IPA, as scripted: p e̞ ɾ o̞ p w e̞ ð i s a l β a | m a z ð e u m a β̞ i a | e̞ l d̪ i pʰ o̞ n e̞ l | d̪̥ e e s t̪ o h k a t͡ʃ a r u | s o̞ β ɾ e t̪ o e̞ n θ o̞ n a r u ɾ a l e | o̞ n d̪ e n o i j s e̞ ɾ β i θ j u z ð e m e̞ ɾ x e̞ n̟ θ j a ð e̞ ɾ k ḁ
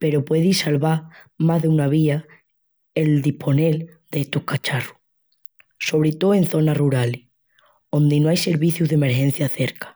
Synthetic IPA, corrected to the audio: p e̞ ɾ o̞ p w e̞ ð i s a l β a | m a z ð e u n a β̞ i a | e̞ l d̪ i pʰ o̞ n e̞ l | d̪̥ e e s t̪ o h k a t͡ʃ a r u | s o̞ β ɾ e t̪ o e̞ n θ o̞ n a r u ɾ a l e | o̞ n d̪ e n o a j s e̞ ɾ β i θ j u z ð e m e̞ ɾ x e̞ n̟ θ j a θ e̞ ɾ k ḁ